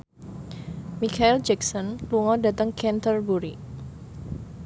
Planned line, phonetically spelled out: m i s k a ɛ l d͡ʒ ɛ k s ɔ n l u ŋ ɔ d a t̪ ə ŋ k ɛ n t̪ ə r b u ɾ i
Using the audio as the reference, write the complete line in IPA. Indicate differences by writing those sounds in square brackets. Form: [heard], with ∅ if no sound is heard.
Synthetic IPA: m i [∅] k a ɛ l d͡ʒ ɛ k s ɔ n l u ŋ ɔ d a t̪ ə ŋ k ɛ n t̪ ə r b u ɾ i